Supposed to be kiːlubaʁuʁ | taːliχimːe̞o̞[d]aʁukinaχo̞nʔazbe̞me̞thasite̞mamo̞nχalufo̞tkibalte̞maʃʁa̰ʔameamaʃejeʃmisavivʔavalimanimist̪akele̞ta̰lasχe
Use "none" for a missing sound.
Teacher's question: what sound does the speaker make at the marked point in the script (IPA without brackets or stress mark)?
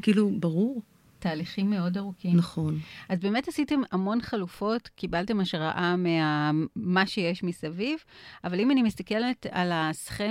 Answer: d